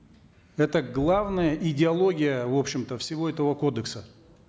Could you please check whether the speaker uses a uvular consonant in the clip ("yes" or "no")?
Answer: no